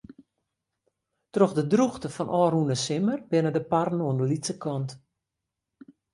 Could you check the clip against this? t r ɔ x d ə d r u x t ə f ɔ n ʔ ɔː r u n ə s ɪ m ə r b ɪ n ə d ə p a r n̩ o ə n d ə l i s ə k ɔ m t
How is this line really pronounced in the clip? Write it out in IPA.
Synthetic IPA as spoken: t r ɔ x d ə d r u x t ə f ɔ n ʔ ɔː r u n ə s ɪ m ə r b ɪ n ə d ə p a r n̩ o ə n d ə l i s ə k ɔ n t